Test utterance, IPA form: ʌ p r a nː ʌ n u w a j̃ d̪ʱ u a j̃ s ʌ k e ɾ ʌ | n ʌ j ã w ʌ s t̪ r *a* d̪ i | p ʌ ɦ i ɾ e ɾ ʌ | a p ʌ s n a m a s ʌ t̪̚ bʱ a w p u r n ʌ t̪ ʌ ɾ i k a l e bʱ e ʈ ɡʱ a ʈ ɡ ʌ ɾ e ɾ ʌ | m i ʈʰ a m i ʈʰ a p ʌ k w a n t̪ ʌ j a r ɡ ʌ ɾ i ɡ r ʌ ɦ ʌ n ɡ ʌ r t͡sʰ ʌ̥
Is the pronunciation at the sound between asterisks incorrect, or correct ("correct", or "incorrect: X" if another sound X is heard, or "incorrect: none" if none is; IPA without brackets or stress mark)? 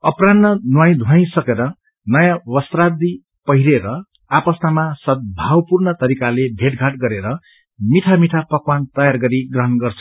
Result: correct